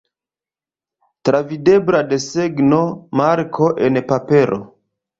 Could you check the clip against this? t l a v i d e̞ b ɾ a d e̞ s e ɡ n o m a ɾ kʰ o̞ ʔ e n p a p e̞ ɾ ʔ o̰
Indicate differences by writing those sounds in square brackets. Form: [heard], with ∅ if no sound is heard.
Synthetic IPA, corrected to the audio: t [ɾ] a v i d e̞ b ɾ a d e̞ s e ɡ n o m a ɾ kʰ o̞ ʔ e n p a p e̞ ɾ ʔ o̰